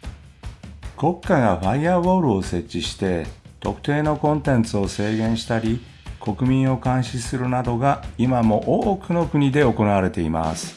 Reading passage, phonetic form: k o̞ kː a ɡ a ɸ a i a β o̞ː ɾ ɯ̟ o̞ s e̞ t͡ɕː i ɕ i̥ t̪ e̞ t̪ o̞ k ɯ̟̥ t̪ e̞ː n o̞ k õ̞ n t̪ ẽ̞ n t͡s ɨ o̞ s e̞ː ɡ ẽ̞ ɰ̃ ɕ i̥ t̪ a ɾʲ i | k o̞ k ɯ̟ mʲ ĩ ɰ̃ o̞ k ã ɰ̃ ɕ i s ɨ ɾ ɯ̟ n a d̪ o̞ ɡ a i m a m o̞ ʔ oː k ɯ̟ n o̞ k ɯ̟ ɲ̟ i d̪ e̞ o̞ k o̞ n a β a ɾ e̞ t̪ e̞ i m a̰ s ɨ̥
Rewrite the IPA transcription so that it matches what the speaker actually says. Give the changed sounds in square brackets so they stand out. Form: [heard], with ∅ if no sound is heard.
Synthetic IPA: k o̞ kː a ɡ a ɸ a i a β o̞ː ɾ ɯ̟ o̞ s e̞ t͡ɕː i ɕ i̥ t̪ e̞ t̪ o̞ k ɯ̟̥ t̪ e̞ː n o̞ k õ̞ n t̪ ẽ̞ n t͡s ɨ o̞ s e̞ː ɡ ẽ̞ ɰ̃ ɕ i̥ t̪ a ɾʲ i | k o̞ k ɯ̟ mʲ ĩ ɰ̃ o̞ k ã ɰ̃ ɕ i s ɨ ɾ ɯ̟ n a d̪ o̞ ɡ a i m a m o̞ ʔ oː k ɯ̟ n o̞ k ɯ̟ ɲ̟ i d̪ e̞ o̞ k o̞ n a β a ɾ e̞ t̪ e̞ i m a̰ s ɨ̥